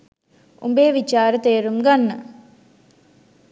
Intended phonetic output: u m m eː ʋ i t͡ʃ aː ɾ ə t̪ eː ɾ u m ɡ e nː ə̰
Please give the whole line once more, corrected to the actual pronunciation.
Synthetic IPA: u m b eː ʋ i t͡ʃ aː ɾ ə t̪ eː ɾ u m ɡ a nː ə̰